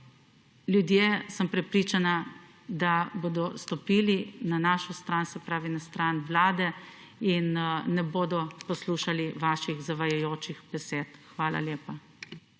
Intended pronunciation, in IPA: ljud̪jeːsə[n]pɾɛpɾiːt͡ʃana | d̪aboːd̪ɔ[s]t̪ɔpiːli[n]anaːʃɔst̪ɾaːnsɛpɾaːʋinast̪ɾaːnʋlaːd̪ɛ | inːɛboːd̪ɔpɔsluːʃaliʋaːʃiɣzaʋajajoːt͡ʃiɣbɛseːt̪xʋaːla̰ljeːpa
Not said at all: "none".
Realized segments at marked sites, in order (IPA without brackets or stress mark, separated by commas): m, s, n